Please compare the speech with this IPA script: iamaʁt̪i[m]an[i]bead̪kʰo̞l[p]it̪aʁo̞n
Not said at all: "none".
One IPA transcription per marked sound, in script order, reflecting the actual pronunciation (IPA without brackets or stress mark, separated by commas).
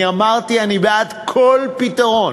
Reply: none, i, p